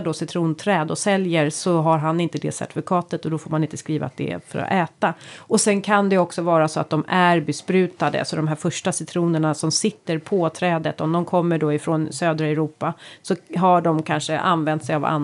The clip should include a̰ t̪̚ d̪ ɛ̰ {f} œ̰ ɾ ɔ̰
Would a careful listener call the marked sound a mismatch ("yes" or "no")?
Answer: no